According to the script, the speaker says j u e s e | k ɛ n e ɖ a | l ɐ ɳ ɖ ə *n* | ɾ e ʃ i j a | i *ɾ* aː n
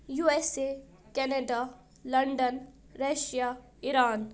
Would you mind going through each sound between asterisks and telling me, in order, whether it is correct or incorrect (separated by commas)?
correct, correct